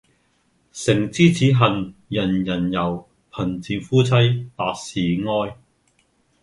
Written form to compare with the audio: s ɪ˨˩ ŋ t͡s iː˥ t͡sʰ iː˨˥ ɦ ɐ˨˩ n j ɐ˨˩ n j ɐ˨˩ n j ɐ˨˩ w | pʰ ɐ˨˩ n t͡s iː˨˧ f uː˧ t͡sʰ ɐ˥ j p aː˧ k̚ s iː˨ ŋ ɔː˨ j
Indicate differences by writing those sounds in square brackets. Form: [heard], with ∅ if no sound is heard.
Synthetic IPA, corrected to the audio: s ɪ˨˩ ŋ t͡s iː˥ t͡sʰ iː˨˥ ɦ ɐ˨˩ n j ɐ˨˩ n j ɐ˨˩ n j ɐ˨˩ w | pʰ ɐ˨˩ n t͡s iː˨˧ f [uː˥] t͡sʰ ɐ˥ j p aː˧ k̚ s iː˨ ŋ [ɔː˥] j